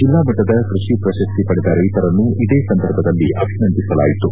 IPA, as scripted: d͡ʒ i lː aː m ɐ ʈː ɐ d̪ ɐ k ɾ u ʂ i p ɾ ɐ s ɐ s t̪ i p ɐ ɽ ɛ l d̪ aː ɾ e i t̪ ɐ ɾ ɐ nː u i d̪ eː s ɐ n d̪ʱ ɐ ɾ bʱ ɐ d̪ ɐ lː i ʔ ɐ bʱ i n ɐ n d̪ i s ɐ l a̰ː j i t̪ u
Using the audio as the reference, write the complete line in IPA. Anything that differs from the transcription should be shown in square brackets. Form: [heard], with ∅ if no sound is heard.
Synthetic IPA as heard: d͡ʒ i lː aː m ɐ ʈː ɐ d̪ ɐ k ɾ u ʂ i p ɾ ɐ [ʃ] ɐ s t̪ i p ɐ ɽ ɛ [∅] d̪ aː ɾ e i t̪ ɐ ɾ ɐ nː u i d̪ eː s ɐ n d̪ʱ ɐ ɾ bʱ ɐ d̪ ɐ lː i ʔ ɐ bʱ i n ɐ n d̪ i s ɐ l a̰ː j i t̪ u